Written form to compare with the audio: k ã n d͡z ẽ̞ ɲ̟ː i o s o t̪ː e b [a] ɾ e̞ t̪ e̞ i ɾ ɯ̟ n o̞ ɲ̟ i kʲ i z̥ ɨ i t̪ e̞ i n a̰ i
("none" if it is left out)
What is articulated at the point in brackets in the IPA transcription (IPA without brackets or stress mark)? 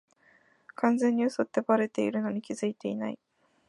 a